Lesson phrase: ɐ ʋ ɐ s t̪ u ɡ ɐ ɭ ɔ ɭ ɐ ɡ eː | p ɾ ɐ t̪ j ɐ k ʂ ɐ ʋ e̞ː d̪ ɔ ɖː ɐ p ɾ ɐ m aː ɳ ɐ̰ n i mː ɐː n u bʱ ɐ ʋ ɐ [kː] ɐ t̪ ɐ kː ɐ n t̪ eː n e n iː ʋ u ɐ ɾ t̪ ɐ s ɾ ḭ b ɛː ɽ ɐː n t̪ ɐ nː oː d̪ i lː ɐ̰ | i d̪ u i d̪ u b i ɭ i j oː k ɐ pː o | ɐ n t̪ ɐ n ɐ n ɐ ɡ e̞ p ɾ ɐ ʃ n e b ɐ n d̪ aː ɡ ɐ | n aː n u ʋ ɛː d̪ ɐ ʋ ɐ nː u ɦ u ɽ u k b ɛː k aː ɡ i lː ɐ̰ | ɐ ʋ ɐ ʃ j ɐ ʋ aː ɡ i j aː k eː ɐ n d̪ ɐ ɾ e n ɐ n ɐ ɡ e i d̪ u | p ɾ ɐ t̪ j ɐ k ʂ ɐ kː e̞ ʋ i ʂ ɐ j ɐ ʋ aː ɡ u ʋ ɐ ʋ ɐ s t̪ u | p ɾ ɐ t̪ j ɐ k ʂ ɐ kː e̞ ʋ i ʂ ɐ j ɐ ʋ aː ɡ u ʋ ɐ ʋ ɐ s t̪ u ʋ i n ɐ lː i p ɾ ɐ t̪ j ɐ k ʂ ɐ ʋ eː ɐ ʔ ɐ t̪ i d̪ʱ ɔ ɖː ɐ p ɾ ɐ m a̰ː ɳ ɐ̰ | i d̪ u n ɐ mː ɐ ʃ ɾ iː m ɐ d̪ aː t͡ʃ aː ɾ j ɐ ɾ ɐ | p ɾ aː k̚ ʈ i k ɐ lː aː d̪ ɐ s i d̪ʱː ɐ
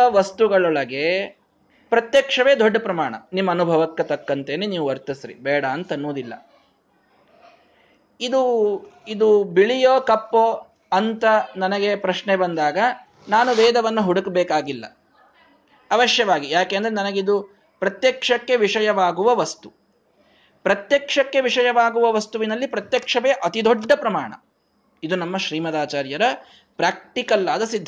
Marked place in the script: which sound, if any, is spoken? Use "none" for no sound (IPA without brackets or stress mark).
kː